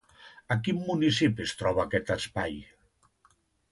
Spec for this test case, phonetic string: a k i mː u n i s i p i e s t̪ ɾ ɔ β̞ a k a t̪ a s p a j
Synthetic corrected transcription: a k i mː u n i s i p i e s t̪ ɾ ɔ β̞ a k ɛ t̪ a s p a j